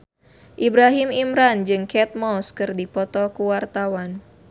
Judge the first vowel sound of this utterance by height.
high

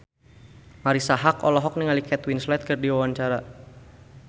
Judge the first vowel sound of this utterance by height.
low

